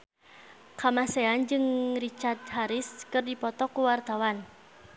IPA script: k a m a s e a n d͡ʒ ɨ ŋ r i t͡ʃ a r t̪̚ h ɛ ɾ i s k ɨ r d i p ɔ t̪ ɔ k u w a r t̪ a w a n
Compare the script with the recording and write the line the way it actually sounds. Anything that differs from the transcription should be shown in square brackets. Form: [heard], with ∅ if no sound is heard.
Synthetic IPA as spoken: k a m a s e a n d͡ʒ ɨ ŋ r i t͡ʃ a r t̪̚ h [a] ɾ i s k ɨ r d i p ɔ t̪ ɔ k u w a r t̪ a w a n